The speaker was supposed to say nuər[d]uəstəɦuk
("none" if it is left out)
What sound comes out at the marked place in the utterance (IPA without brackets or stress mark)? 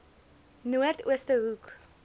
t